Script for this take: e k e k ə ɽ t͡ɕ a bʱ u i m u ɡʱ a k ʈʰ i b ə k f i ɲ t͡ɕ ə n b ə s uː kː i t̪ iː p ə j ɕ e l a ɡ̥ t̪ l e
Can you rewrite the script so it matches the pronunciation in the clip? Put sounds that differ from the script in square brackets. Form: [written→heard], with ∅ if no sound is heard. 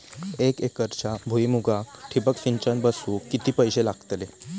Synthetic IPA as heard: e k e k ə [ɽ→ɾ] t͡ɕ a bʱ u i m u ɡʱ a k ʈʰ i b ə k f i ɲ t͡ɕ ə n b ə s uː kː i t̪ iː p ə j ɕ e l a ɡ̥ t̪ l e